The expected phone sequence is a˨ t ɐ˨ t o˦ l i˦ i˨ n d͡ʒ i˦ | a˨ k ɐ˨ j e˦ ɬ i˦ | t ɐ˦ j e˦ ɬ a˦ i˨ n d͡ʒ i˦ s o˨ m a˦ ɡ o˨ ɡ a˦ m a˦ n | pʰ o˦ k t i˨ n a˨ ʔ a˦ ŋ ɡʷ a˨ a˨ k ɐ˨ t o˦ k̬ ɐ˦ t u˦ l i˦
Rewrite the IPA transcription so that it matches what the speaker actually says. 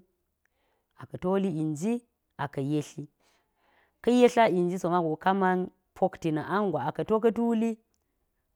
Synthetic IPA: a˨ k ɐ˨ t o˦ l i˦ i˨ n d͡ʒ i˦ | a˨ k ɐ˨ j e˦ ɬ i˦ | k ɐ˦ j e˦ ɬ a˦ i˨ n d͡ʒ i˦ s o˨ m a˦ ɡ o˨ k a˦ m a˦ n | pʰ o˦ k t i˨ n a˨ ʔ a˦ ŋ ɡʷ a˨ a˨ k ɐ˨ t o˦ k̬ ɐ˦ t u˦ l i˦